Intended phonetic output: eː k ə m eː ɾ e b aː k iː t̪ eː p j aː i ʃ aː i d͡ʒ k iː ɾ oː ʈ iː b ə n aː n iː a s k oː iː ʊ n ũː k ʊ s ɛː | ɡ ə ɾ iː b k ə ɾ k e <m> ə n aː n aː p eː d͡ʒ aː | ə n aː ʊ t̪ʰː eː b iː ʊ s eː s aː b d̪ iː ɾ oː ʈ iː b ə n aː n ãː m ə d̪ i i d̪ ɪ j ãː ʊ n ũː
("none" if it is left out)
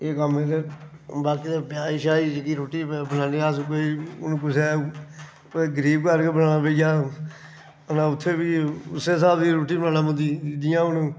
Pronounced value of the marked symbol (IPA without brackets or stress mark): b